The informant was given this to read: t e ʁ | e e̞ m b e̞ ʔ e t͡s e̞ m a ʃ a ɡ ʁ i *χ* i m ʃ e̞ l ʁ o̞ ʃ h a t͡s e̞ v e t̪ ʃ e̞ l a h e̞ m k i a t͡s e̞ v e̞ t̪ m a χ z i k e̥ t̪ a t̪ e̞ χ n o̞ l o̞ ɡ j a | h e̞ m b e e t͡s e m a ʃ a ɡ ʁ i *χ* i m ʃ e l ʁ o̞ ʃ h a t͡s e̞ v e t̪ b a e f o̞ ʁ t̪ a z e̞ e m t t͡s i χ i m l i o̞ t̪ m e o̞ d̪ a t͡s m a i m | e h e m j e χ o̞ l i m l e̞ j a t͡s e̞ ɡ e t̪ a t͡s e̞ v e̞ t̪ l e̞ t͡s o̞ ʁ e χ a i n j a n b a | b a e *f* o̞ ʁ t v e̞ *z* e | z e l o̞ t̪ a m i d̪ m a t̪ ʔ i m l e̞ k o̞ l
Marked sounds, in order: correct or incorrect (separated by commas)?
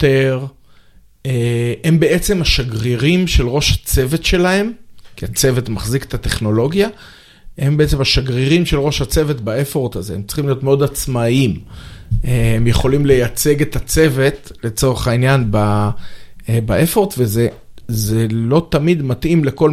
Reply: incorrect, incorrect, correct, correct